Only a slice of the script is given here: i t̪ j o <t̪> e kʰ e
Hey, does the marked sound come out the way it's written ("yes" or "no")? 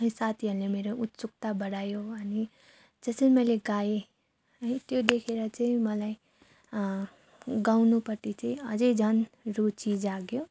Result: no